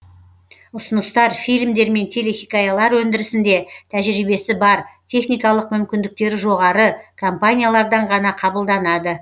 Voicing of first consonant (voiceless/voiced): voiceless